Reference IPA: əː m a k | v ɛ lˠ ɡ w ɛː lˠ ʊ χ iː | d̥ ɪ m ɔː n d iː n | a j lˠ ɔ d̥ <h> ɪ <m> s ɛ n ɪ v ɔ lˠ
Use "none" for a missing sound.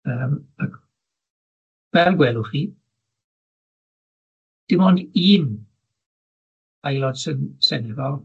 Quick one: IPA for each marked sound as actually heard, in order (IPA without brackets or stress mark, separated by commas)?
s, n